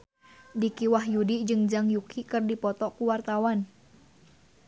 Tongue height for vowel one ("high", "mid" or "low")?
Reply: high